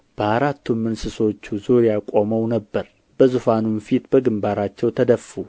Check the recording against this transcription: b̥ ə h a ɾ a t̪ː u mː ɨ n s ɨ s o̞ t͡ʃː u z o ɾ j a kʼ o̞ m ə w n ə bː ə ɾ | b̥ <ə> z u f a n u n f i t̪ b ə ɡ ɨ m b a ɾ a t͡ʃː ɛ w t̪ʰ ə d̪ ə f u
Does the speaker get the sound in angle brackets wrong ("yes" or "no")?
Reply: no